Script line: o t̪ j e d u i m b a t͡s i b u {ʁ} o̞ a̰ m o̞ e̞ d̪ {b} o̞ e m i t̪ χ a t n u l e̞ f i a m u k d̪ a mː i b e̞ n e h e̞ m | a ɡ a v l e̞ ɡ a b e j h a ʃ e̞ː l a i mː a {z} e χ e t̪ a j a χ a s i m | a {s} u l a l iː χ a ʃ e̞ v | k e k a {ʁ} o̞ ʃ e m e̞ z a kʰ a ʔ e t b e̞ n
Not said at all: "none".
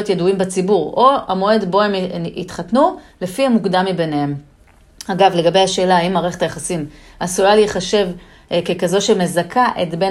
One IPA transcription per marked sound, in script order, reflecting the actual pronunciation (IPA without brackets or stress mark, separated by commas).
ʁ, b, ʁ, s, z